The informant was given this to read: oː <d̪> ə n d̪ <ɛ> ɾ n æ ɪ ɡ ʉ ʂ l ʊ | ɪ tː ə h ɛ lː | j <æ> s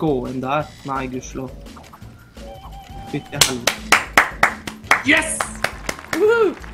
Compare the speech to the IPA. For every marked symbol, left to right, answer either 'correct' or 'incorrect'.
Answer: incorrect: none, incorrect: æ, incorrect: ɛ

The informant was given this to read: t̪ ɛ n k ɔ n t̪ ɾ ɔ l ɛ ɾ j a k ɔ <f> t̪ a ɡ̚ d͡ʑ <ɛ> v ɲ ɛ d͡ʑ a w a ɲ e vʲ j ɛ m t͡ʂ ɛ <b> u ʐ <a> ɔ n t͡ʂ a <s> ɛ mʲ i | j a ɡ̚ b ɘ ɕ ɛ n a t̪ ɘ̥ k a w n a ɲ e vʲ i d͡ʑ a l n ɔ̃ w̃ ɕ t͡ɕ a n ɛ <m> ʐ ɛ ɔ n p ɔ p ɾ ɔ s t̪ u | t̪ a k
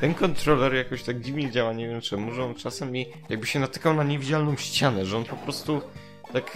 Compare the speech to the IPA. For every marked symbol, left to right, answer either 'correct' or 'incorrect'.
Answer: incorrect: ɕ, incorrect: i, incorrect: m, incorrect: ɛ, correct, incorrect: none

